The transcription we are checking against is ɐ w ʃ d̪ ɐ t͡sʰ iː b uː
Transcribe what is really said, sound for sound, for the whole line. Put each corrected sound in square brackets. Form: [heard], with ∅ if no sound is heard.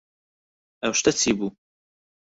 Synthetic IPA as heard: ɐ w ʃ [t̪] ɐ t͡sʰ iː b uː